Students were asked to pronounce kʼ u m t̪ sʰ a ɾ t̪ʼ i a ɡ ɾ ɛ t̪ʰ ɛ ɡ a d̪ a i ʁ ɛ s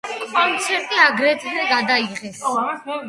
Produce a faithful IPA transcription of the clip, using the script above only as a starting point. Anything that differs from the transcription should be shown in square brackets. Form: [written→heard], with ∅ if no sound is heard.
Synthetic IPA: kʼ [u→ɔ] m t̪ sʰ [a→ɛ] ɾ t̪ʼ i a ɡ ɾ ɛ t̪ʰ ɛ ɡ a d̪ a i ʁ ɛ s

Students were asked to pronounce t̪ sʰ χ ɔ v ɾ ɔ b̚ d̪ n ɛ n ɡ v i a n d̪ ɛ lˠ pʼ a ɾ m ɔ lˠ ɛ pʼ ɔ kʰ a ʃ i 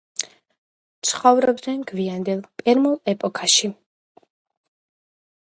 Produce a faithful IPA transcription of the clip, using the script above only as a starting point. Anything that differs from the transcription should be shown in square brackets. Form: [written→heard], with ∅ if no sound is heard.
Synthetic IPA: t̪ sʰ χ ɔ v ɾ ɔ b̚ d̪ n ɛ n ɡ v i a n d̪ ɛ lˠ pʼ [a→ɛ] ɾ m [ɔ→u] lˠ ɛ pʼ ɔ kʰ a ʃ i

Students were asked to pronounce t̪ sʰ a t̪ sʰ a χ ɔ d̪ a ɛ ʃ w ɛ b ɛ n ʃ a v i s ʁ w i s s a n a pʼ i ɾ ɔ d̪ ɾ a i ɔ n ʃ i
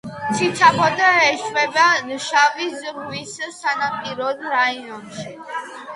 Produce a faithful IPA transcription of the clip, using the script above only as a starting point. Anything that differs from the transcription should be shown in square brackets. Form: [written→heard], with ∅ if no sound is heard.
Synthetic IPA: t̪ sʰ [a→i] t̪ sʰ a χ ɔ d̪ a ɛ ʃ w ɛ b [ɛ→a] n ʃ a v i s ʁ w i s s a n a pʼ i ɾ ɔ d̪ ɾ a i ɔ n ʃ i

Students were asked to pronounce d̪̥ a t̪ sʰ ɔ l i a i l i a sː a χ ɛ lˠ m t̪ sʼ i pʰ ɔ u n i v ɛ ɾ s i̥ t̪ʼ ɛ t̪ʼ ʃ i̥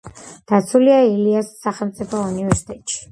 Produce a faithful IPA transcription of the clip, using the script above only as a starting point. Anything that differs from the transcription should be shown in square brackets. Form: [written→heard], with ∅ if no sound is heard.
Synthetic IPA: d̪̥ a t̪ sʰ [ɔ→u] l i a i l i a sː a χ ɛ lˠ m t̪ sʼ i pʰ ɔ u n i v ɛ ɾ s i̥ t̪ʼ ɛ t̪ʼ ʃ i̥

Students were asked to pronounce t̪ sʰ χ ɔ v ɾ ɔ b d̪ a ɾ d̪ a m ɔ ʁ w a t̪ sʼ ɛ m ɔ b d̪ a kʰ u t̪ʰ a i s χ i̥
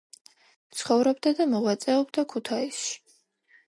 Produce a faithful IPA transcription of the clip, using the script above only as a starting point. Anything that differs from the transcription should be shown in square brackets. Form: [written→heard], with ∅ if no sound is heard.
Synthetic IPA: t̪ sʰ χ ɔ v ɾ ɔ b d̪ a [ɾ→∅] d̪ a m ɔ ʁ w a t̪ sʼ ɛ [m→∅] ɔ b d̪ a kʰ u t̪ʰ a i s [χ→ʃ] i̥

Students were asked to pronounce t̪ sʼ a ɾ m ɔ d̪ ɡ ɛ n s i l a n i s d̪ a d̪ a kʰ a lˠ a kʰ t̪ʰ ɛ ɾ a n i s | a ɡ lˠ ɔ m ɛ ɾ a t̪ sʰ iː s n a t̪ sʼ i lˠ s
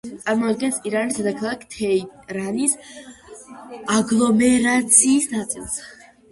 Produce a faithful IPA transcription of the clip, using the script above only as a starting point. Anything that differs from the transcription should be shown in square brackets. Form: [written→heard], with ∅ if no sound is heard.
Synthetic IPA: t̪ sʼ a ɾ m ɔ d̪ ɡ ɛ n s i [l→ɾ] a n i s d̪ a d̪ a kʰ a lˠ a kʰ t̪ʰ ɛ ɾ a n i s | a ɡ lˠ ɔ m ɛ ɾ a t̪ sʰ iː s n a t̪ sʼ i lˠ s

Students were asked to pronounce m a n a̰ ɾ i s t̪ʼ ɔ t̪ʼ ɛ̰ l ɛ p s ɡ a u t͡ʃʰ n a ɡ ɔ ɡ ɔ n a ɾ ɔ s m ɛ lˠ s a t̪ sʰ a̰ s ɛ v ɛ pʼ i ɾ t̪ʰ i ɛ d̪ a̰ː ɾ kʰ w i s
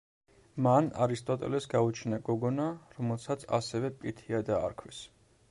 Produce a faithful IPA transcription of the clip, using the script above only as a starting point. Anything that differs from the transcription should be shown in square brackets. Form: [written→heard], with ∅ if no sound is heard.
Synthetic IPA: m a n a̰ ɾ i s t̪ʼ ɔ t̪ʼ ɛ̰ l ɛ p s ɡ a u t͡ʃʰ n a ɡ ɔ ɡ ɔ n a ɾ ɔ [s→∅] m ɛ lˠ s a t̪ sʰ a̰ s ɛ v ɛ pʼ i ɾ t̪ʰ i [ɛ→a] d̪ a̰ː ɾ kʰ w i s

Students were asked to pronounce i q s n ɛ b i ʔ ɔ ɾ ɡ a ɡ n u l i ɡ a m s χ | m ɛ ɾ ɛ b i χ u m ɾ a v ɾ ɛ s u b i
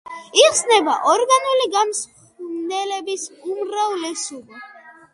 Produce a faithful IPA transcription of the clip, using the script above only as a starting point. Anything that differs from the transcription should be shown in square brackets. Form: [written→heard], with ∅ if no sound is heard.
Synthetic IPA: i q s n ɛ b [i→a] ʔ ɔ ɾ ɡ a [ɡ→∅] n u l i ɡ a m s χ | [m→n] ɛ [ɾ→l] ɛ b i [χ→s] u m ɾ a v [ɾ→l] ɛ s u b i

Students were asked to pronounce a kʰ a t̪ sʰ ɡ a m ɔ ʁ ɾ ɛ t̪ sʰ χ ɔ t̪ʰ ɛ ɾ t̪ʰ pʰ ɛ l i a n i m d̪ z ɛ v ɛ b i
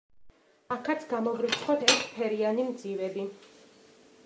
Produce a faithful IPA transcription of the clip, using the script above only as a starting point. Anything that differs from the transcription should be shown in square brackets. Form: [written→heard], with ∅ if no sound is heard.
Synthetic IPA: a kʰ a t̪ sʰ ɡ a m ɔ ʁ ɾ [ɛ→i] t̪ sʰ χ ɔ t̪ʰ ɛ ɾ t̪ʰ pʰ ɛ [l→ɾ] i a n i m d̪ z [ɛ→i] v ɛ b i

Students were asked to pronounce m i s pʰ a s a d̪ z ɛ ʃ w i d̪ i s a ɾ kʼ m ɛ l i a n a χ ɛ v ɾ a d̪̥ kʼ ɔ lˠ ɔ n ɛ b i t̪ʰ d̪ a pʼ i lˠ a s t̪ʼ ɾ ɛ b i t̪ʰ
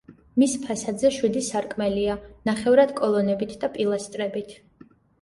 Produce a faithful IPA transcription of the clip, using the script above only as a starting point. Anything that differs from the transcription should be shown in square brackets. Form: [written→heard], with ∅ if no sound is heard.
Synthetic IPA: m i s pʰ a s a d̪ z ɛ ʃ w i d̪ i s a ɾ kʼ m ɛ l i a n a χ ɛ v ɾ a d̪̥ kʼ ɔ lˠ ɔ n ɛ b i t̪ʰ d̪ a pʼ i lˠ a s t̪ʼ ɾ ɛ b i t̪ʰ

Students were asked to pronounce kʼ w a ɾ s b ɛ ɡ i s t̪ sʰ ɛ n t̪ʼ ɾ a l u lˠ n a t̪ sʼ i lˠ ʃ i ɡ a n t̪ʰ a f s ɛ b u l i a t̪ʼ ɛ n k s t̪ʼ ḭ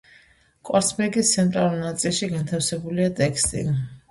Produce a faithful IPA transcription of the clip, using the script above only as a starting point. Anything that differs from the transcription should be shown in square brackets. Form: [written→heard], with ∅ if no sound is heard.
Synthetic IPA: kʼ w a ɾ s b ɛ ɡ i s t̪ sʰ ɛ n t̪ʼ ɾ a l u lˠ n a t̪ sʼ i lˠ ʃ i ɡ a n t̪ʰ a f s ɛ b u l i a t̪ʼ ɛ [n→∅] k s t̪ʼ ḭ

